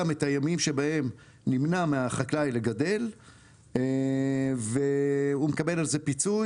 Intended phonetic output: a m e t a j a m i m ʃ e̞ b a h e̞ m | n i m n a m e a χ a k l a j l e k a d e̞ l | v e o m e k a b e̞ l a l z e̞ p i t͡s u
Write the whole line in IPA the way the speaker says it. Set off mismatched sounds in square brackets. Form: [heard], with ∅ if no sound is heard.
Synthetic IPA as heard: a m e t a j a m i m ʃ e̞ b a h e̞ m | n i m n a m e a χ a k l a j l e [ɡ] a d e̞ l | v e [u] m e k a b e̞ l a l z e̞ p i t͡s u